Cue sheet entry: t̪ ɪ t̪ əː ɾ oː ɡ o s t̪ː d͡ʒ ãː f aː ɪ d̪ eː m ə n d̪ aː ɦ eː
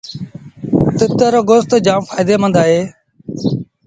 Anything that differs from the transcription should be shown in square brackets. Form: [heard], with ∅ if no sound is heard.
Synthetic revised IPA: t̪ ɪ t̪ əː ɾ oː ɡ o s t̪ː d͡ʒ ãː f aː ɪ d̪ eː m ə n d̪ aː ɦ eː